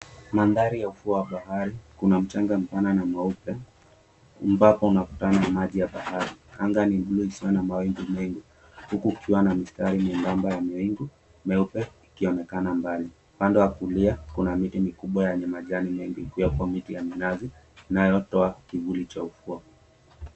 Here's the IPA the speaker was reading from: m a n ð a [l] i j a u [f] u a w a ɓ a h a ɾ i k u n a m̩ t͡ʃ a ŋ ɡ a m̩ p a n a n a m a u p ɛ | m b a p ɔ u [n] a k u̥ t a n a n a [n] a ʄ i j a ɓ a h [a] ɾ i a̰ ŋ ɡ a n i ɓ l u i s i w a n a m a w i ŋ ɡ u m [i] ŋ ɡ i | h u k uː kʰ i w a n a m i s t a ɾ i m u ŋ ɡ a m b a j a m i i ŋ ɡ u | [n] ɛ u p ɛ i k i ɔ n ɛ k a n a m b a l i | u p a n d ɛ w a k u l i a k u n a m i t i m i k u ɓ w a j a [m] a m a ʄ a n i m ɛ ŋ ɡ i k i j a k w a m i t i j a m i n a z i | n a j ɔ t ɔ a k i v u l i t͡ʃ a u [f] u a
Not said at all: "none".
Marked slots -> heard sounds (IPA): ɾ, f, n, m, a, ɛ, m, ɲ, f

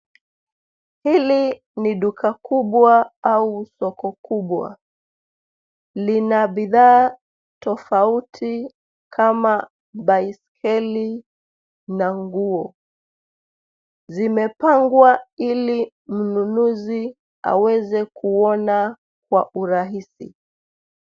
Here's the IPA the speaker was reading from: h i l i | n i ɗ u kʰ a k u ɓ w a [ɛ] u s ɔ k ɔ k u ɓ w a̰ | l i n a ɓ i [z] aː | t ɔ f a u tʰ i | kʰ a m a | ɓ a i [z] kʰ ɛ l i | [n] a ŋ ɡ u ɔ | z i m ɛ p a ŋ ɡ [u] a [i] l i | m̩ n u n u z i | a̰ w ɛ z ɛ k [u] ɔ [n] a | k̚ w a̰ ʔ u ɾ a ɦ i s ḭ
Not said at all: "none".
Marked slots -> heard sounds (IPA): a, ð, s, n, w, i, u, n

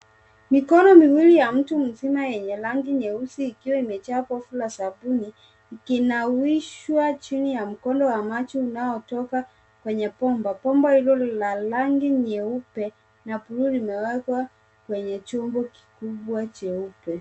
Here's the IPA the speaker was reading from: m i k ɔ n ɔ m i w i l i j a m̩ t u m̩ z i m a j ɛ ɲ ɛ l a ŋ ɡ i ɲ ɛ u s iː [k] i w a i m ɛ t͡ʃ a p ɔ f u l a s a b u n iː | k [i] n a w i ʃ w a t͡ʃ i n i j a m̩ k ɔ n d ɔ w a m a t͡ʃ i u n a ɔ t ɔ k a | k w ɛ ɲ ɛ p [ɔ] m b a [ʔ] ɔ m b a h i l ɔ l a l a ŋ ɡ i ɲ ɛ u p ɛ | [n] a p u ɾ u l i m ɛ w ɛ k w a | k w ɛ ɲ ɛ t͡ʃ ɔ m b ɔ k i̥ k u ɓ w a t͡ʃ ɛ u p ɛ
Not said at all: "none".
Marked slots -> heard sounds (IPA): k, i, ɔ, p, n

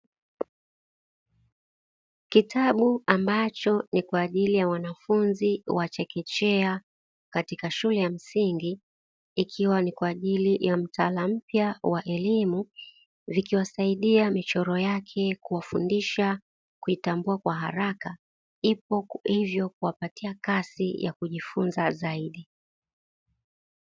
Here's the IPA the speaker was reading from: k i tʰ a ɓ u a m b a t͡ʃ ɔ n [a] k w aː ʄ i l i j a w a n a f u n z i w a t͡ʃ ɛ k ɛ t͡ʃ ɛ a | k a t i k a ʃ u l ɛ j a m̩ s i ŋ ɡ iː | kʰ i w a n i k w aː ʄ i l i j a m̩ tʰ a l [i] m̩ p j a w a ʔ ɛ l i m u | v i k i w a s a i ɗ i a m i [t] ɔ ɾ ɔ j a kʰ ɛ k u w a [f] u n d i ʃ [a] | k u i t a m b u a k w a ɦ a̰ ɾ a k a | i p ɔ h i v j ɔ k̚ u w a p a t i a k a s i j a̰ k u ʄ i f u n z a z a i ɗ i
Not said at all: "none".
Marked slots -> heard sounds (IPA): i, a, t͡ʃ, f, a

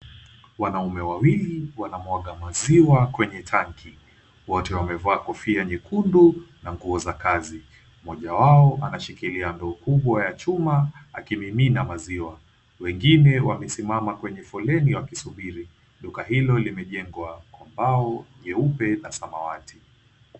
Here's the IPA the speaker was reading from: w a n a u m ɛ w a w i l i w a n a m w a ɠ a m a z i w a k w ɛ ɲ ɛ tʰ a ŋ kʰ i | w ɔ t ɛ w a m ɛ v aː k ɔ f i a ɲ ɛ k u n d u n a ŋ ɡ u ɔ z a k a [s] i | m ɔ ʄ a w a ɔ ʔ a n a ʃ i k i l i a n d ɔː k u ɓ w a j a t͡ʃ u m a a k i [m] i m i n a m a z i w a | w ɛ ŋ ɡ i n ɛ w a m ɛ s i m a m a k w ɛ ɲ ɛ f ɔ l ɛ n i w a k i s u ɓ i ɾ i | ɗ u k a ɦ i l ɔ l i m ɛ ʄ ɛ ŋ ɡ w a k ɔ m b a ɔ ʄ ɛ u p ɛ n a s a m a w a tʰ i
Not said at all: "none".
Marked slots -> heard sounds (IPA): z, m

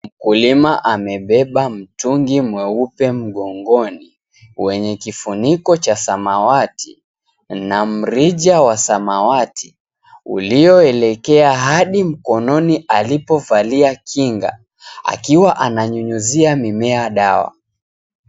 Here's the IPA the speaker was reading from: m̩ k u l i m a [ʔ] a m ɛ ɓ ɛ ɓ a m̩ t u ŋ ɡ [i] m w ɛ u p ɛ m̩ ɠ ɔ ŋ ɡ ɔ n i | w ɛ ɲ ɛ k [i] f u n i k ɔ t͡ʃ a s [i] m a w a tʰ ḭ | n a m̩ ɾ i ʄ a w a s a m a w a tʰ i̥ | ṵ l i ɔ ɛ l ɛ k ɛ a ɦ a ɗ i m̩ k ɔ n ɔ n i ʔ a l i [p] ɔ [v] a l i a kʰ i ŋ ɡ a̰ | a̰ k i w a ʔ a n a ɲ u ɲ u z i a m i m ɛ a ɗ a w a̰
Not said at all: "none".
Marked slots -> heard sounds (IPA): ʔ, i, i, a, p, v

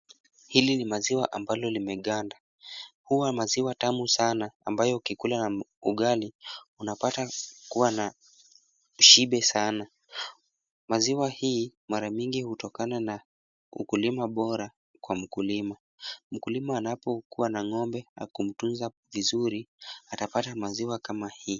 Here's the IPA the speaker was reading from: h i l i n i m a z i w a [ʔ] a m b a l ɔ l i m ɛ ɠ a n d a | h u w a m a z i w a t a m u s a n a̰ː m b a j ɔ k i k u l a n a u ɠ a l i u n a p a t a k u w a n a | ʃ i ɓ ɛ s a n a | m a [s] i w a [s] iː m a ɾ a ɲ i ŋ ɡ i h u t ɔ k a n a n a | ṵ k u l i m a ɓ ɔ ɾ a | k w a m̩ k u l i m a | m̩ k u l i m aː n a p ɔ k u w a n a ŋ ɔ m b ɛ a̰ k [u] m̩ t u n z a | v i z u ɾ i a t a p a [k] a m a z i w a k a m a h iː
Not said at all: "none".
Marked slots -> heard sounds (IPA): ʔ, z, h, u, t

